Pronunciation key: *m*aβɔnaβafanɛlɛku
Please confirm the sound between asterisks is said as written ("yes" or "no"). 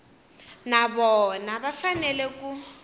no